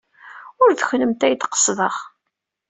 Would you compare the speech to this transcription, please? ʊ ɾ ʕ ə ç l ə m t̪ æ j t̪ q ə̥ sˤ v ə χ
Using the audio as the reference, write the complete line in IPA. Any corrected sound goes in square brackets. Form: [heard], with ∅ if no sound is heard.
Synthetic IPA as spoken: ʊ ɾ [ð] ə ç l ə m t̪ æ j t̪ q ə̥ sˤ [ð] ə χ